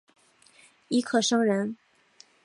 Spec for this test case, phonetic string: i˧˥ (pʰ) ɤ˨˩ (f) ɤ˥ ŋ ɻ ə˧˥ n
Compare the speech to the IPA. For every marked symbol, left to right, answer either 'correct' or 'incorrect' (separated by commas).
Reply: incorrect, incorrect